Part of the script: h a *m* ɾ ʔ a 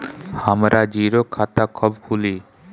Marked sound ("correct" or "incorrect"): correct